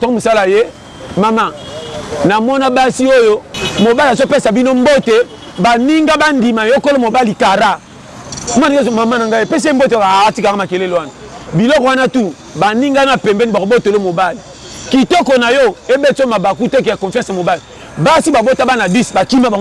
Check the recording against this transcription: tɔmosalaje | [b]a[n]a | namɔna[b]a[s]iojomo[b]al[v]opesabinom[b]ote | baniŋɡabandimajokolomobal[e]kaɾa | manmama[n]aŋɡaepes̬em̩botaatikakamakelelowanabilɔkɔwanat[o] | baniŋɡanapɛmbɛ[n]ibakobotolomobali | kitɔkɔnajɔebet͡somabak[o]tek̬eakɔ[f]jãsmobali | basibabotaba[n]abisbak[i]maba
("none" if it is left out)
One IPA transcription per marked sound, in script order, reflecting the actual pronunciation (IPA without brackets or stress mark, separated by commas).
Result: m, m, b, s, b, z, b, i, n, u, n, u, f, n, i